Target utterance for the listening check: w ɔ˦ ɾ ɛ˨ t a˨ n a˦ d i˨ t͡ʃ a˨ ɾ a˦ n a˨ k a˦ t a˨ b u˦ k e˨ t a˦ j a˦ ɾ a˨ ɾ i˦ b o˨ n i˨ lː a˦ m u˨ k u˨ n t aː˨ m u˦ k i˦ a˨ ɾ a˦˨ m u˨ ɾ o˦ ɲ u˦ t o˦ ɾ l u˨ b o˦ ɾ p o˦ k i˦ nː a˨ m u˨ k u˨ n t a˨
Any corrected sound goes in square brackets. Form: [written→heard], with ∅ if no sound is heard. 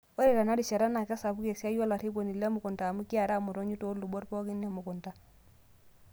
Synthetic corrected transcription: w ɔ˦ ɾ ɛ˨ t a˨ n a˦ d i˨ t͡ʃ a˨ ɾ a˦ n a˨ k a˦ [t→s] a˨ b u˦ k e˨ [t→s] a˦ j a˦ [ɾ→l] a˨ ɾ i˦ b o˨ n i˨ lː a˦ m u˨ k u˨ n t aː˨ m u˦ k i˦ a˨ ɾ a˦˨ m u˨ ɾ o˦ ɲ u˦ t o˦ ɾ l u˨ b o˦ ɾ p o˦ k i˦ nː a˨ m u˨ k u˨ n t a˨